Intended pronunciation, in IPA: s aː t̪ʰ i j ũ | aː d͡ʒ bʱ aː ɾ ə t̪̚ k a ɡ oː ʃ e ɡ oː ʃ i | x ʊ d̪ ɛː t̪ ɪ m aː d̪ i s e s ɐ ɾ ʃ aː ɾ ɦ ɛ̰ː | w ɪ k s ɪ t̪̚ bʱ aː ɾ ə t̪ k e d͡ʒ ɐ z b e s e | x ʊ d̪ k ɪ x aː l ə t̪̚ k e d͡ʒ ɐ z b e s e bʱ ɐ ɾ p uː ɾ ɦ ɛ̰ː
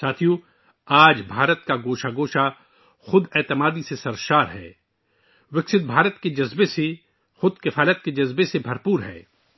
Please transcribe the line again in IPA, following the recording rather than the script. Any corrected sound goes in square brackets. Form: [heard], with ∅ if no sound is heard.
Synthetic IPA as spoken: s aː t̪ʰ i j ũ | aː d͡ʒ bʱ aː ɾ ə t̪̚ k a ɡ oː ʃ [a] ɡ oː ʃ [a] | x ʊ d̪ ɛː t̪ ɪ m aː d̪ i s e s ɐ ɾ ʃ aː ɾ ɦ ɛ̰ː | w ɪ k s ɪ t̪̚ bʱ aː ɾ ə t̪ k e d͡ʒ ɐ z b e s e | x ʊ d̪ k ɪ [f] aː l ə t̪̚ k e d͡ʒ ɐ z b e s e bʱ ɐ ɾ p uː ɾ ɦ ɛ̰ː